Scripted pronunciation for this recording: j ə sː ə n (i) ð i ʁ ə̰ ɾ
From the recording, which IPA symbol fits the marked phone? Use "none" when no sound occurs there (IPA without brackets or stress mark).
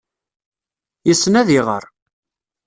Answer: æ